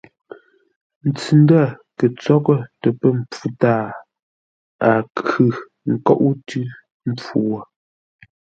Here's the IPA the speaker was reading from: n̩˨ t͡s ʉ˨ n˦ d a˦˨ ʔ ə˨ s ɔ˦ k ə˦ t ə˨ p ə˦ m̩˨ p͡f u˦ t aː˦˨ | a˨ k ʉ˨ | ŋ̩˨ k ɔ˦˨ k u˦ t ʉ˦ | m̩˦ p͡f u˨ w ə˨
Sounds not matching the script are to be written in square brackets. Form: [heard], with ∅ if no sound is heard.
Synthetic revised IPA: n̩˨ t͡s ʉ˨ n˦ d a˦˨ [k] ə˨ [t͡s] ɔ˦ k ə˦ t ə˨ p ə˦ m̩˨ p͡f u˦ t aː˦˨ | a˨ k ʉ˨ | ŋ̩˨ k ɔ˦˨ [ʔ] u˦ t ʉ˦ | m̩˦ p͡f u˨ w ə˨